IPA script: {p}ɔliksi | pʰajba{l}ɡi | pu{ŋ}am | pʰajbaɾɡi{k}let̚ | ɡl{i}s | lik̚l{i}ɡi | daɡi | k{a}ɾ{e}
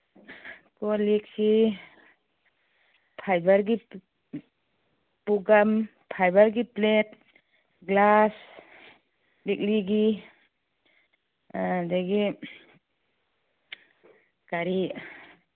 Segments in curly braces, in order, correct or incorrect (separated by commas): incorrect, incorrect, incorrect, incorrect, incorrect, correct, correct, incorrect